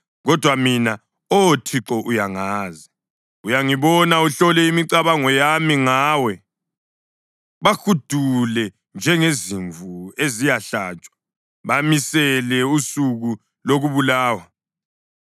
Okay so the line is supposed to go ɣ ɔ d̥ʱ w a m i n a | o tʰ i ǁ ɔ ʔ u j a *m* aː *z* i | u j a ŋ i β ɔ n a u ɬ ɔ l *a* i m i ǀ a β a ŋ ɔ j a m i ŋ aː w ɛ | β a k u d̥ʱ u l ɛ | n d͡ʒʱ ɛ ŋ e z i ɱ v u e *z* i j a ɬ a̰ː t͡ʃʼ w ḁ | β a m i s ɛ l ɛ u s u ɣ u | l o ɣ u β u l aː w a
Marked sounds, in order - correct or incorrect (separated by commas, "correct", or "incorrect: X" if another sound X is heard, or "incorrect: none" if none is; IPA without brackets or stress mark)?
incorrect: ŋ, correct, incorrect: ɛ, correct